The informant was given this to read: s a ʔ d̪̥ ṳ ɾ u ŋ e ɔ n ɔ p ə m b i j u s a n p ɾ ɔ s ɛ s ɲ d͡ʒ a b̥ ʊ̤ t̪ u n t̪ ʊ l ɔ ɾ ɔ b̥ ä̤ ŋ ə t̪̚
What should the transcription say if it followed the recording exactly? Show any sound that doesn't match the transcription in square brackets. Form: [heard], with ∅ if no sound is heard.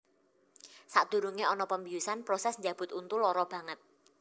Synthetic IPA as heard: s a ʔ d̪̥ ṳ ɾ u ŋ e ɔ n ɔ p ə m b i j u s a n p ɾ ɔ s ɛ s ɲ d͡ʒ a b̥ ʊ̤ t̪ u n t̪ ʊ l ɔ ɾ ɔ b̥ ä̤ ŋ ə t̪̚